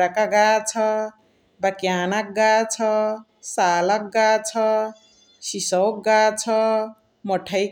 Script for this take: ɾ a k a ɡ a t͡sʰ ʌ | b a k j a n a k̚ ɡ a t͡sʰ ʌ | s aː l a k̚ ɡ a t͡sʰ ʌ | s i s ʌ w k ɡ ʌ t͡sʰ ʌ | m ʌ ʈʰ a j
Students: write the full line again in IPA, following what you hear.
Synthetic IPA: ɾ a k a ɡ a t͡sʰ ʌ | b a k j a n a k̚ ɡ a t͡sʰ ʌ | s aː l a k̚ ɡ a t͡sʰ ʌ | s i s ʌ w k ɡ a t͡sʰ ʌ | m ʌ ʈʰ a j